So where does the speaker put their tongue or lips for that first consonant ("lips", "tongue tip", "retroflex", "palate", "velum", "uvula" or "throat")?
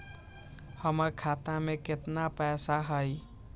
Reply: throat